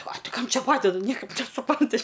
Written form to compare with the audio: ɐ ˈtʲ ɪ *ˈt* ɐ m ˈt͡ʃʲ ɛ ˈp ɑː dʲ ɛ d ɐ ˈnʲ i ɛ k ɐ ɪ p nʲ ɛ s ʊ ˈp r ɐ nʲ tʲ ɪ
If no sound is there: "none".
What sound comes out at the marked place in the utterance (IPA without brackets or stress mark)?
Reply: k